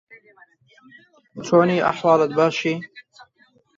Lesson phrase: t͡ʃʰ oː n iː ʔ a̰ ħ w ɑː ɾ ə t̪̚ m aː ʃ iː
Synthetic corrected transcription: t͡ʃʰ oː n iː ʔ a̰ ħ w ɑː l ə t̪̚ b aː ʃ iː